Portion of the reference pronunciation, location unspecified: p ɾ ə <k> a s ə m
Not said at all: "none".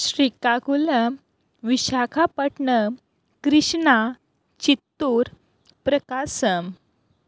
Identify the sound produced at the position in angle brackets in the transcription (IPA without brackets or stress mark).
k